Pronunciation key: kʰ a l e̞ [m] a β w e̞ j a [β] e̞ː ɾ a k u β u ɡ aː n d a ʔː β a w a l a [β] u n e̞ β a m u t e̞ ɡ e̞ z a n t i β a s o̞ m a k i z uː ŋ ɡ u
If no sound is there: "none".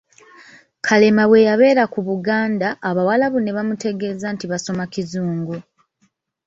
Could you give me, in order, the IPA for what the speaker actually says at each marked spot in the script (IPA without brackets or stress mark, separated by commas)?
m, β, β